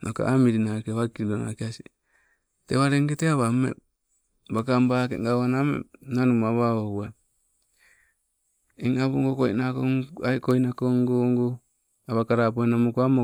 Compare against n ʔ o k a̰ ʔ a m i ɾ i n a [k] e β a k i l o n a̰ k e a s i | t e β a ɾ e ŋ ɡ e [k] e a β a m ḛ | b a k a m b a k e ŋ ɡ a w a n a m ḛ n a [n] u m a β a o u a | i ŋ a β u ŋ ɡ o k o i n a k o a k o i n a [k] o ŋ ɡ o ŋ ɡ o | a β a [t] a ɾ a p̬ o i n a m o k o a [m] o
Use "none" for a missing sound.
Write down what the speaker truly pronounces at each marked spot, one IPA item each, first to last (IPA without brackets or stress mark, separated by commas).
k, t, n, k, k, m